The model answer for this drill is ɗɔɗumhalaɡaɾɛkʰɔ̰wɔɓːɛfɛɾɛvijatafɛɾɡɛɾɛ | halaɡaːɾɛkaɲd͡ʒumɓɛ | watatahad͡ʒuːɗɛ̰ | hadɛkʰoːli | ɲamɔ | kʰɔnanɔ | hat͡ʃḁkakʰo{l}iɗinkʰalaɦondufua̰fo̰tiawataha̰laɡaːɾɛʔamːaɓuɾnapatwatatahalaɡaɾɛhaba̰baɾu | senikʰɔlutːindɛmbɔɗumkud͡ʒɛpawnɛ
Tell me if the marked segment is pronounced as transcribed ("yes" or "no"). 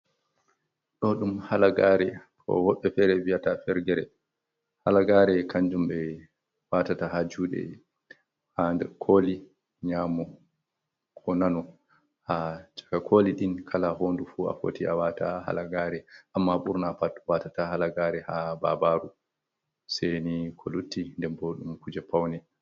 yes